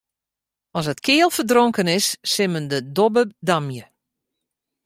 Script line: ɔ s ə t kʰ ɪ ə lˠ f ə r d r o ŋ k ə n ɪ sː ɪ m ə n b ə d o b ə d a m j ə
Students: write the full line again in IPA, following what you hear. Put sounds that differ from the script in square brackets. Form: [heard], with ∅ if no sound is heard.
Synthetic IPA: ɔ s ə t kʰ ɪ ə lˠ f ə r d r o ŋ k ə n ɪ sː ɪ m ə n [d] ə d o b ə d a m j ə